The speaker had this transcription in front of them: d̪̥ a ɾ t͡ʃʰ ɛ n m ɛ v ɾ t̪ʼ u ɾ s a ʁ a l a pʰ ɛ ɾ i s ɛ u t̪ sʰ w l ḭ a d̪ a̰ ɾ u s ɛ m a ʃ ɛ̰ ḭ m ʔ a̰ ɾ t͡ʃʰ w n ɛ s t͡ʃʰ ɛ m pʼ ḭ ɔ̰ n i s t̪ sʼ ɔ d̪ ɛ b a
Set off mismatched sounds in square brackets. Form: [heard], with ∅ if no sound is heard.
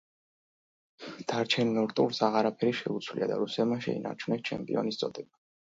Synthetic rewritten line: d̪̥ a ɾ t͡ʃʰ ɛ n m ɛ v ɾ t̪ʼ u ɾ s a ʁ a [ɾ] a pʰ ɛ ɾ i [ʃ] ɛ u t̪ sʰ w l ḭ a d̪ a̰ ɾ u s ɛ m a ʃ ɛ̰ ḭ [n] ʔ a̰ ɾ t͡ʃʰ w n ɛ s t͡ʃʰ ɛ m pʼ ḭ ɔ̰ n i s t̪ sʼ ɔ d̪ ɛ b a